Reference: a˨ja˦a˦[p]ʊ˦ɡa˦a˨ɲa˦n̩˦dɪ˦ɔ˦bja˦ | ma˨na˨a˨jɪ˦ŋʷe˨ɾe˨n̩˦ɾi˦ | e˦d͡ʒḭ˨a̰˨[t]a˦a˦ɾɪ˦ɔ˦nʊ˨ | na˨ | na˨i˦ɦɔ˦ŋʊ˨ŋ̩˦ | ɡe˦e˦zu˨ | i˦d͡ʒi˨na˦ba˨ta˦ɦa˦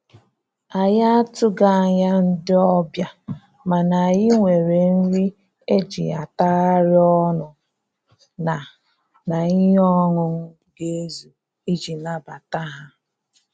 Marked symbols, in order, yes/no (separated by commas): no, yes